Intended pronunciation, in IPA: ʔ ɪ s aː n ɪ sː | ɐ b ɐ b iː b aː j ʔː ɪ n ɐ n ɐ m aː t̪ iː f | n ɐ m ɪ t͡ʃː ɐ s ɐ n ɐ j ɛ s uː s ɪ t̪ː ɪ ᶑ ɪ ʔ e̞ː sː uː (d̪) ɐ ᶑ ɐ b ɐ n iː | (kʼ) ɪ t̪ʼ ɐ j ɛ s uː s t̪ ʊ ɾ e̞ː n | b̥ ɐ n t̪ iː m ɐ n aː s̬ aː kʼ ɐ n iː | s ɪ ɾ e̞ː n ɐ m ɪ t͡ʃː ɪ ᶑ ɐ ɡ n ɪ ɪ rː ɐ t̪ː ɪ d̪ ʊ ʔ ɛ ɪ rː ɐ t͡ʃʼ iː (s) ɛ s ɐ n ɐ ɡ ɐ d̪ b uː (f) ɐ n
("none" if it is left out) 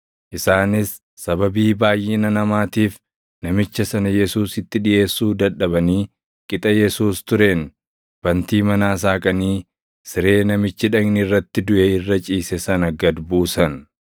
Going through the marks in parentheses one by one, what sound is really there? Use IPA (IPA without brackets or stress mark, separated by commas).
d̪, kʼ, s, s